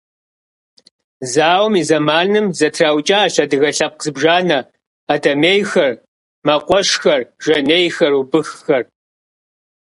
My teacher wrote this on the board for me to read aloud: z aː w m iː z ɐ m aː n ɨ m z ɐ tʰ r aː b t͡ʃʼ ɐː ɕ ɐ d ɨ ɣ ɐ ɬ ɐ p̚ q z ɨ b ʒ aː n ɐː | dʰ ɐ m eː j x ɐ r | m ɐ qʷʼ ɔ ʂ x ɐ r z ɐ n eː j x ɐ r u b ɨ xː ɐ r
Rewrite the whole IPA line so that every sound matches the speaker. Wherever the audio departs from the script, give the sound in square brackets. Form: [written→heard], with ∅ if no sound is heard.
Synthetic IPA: z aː w m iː z ɐ m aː n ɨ m z ɐ tʰ r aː [b→w] t͡ʃʼ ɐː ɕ ɐ d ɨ ɣ ɐ ɬ ɐ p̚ q z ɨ b ʒ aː n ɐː | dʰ ɐ m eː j x ɐ r | m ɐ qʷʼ ɔ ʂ x ɐ r [z→ʒ] ɐ n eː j x ɐ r u b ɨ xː ɐ r

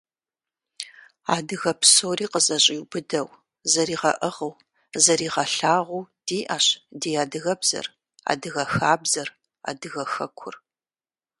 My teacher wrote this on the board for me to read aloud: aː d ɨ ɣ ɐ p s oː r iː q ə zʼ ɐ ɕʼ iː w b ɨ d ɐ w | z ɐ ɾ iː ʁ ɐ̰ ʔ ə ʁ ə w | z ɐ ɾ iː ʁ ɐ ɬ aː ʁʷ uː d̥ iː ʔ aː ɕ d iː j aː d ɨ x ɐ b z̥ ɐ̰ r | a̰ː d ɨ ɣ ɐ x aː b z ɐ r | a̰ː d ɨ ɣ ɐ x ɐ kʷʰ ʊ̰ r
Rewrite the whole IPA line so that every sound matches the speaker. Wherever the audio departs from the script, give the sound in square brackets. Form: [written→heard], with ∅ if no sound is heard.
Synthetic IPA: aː d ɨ ɣ ɐ p s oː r iː q ə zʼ ɐ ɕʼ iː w b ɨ d ɐ w | z ɐ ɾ iː ʁ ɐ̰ ʔ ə ʁ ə w | z ɐ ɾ iː ʁ ɐ ɬ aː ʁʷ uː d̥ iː ʔ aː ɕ d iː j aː d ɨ [x→ɣ] ɐ b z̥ ɐ̰ r | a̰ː d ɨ ɣ ɐ x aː b z ɐ r | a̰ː d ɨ ɣ ɐ x ɐ kʷʰ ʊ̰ r

